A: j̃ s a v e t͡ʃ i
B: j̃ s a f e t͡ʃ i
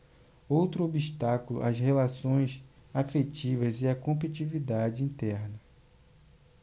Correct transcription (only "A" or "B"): B